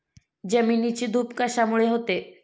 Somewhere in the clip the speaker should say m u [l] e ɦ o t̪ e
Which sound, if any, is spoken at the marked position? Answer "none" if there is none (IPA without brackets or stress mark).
ɭ